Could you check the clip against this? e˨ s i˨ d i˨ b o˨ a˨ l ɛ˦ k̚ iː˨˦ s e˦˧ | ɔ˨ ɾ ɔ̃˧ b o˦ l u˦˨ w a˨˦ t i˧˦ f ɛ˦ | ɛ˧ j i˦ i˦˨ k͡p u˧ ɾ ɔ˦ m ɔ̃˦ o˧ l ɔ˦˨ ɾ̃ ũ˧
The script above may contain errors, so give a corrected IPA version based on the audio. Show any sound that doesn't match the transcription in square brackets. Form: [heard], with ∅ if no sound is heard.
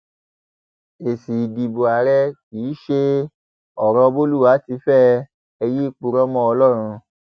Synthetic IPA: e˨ s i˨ d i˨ b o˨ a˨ [ɾ] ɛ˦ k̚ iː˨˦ [ʃ] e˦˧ | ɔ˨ ɾ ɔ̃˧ b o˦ l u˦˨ w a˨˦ t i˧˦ f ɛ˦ | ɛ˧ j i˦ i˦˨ k͡p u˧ ɾ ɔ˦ m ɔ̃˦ [ɔ˧] l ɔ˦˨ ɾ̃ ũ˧